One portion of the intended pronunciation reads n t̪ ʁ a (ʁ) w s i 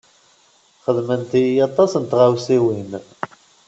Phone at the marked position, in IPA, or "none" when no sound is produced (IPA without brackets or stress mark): none